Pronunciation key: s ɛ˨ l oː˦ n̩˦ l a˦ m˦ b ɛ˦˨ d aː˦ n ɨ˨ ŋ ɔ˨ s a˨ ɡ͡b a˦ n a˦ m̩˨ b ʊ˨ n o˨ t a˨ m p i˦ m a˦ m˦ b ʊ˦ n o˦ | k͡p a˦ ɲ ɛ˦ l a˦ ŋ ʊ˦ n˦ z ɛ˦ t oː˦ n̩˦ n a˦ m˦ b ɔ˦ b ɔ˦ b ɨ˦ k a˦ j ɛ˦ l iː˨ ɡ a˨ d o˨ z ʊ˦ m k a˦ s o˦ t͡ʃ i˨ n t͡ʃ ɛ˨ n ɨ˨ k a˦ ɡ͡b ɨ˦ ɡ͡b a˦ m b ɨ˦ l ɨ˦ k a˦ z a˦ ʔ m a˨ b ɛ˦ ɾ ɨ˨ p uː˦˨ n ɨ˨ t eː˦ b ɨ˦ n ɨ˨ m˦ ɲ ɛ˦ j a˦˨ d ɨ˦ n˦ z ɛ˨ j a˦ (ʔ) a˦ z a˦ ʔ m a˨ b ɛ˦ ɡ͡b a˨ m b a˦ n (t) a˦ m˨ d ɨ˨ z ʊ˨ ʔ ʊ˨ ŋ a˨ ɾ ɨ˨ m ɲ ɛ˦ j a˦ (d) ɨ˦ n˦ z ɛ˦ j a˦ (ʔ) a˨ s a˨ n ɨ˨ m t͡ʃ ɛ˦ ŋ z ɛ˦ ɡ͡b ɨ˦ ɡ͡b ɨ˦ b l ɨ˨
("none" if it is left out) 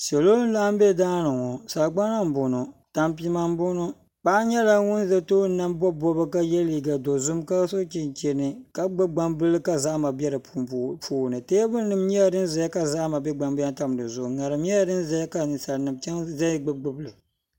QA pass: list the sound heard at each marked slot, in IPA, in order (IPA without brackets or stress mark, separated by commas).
k, t, d, k